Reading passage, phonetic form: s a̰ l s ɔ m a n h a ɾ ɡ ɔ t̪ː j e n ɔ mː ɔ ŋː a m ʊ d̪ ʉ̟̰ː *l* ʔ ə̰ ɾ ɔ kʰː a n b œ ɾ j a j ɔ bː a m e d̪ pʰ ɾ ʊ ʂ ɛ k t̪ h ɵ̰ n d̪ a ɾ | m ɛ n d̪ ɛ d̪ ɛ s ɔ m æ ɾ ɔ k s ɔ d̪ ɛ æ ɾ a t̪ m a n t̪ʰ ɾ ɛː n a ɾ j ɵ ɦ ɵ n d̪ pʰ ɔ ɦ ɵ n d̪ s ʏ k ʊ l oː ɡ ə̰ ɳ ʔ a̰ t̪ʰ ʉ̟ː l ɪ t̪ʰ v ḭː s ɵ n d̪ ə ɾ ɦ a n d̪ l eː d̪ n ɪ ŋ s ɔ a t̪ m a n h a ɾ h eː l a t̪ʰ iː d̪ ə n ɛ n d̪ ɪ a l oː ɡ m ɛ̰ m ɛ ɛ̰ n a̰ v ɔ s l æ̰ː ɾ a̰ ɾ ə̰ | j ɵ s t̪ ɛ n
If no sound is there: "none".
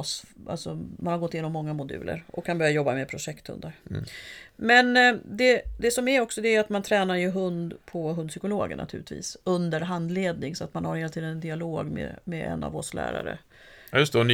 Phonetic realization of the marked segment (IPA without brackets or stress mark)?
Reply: l